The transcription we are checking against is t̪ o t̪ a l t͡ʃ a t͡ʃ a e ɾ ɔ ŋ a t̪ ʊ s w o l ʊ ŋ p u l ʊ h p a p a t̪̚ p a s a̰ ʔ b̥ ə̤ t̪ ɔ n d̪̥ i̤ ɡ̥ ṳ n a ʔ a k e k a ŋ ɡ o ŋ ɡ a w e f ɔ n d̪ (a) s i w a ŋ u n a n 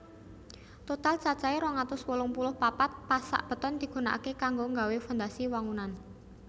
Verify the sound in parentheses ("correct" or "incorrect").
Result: correct